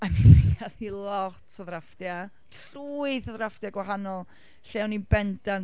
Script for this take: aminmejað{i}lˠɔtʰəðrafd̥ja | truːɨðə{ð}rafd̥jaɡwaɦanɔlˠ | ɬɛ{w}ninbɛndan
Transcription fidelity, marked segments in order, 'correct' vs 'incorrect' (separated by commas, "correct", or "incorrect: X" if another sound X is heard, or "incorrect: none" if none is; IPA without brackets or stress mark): correct, correct, correct